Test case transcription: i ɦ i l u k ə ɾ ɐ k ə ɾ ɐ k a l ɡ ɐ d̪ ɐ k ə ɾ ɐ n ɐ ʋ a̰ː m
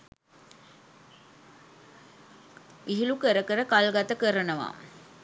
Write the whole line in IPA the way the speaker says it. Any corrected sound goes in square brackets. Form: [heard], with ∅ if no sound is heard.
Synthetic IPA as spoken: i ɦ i l u k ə ɾ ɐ k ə ɾ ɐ k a l ɡ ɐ [t̪] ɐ k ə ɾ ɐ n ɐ ʋ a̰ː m